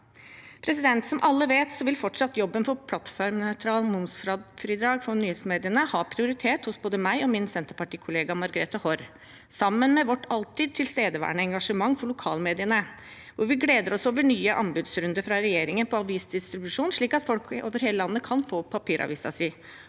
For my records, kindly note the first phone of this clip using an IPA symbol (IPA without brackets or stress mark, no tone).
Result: pʰ